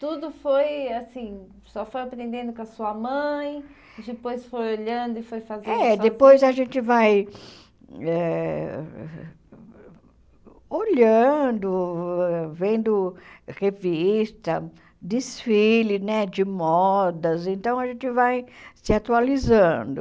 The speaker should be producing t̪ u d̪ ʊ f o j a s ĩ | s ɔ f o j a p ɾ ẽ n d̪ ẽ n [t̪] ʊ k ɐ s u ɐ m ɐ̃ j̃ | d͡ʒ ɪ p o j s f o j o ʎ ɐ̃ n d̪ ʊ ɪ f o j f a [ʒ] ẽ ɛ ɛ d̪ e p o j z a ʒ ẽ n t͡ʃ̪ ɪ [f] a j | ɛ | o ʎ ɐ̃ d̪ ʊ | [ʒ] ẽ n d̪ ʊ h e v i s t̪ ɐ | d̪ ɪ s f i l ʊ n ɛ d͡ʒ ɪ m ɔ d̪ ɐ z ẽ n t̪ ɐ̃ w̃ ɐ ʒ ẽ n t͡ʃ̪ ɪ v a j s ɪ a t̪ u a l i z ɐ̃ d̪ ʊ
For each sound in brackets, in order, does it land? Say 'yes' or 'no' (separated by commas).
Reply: no, no, no, no